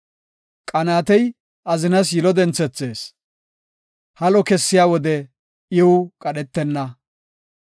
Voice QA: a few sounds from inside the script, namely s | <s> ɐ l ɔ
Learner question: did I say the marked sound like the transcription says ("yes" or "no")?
no